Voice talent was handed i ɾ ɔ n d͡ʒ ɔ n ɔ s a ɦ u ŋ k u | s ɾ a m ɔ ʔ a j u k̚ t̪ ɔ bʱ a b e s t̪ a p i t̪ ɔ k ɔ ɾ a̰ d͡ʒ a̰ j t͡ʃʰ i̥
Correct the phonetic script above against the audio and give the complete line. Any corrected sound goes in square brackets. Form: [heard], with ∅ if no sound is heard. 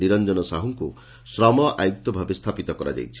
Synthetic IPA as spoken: i ɾ ɔ n d͡ʒ ɔ n ɔ s a ɦ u ŋ k u | s ɾ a m ɔ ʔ a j u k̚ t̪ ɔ bʱ a b e s [t̪ʰ] a p i t̪ ɔ k ɔ ɾ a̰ d͡ʒ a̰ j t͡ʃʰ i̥